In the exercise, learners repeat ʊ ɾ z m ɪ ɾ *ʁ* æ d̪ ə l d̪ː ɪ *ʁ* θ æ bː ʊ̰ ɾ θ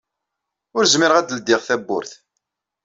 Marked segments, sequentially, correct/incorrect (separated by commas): correct, correct